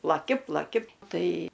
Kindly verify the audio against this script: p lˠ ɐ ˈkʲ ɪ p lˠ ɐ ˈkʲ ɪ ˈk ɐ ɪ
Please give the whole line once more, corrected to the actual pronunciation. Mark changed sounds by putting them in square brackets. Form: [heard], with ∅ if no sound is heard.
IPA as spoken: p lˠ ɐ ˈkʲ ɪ p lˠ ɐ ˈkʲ ɪ [ˈt] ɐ ɪ